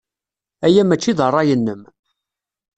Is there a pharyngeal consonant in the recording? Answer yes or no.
no